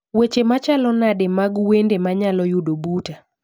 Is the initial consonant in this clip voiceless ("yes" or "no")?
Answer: no